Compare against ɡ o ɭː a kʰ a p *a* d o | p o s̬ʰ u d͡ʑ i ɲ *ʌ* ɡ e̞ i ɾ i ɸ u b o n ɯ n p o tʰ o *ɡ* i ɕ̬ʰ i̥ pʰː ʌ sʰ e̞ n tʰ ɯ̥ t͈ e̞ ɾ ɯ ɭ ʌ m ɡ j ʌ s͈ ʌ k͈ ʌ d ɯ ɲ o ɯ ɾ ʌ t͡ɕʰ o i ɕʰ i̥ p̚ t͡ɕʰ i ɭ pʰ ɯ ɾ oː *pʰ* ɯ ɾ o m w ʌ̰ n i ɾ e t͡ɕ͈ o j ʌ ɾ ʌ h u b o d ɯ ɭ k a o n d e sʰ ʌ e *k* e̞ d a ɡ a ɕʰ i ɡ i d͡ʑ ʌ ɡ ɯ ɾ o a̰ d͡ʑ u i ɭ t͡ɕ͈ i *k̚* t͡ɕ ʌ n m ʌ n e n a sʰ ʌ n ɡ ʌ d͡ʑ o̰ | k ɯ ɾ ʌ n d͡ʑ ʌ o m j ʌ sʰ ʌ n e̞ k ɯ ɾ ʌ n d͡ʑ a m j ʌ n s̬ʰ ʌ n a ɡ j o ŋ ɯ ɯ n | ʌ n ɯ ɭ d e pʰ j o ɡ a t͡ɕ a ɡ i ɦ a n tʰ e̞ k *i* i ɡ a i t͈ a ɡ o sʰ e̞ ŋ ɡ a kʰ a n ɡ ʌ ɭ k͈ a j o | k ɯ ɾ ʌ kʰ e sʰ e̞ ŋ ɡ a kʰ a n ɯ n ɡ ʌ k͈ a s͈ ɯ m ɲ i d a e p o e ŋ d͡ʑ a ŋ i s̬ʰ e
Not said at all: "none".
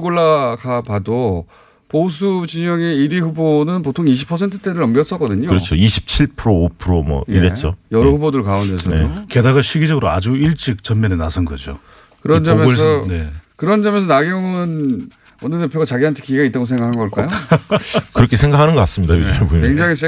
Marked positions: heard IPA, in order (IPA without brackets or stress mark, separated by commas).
a, ʌ, ŋ, pʰ, k, k̚, i